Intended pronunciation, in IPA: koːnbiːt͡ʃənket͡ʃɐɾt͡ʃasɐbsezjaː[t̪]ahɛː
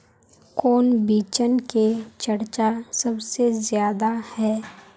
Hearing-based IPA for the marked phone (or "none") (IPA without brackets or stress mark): d̪